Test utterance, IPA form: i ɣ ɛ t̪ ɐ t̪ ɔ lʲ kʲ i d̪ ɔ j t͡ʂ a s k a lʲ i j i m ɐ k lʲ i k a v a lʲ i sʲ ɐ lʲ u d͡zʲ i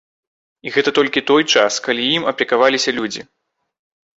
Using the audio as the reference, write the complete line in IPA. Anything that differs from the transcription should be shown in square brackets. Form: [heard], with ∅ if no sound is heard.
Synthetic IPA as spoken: i ɣ ɛ t̪ ɐ t̪ ɔ lʲ kʲ i [t̪] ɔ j t͡ʂ a s k a lʲ i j i m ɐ [p] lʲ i k a v a lʲ i sʲ ɐ lʲ u d͡zʲ i